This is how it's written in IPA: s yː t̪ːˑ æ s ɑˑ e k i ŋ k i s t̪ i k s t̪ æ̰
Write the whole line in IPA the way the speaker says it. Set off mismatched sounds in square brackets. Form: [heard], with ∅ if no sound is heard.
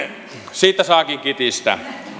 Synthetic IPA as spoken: s [iː] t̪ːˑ æ s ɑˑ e k i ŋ k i [∅] t̪ i [∅] s t̪ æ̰